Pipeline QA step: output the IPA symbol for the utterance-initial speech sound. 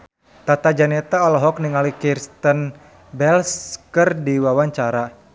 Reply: t̪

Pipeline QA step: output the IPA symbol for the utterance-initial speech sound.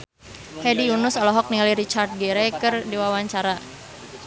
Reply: h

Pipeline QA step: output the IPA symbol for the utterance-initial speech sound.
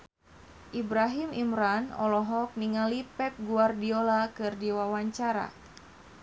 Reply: ʔ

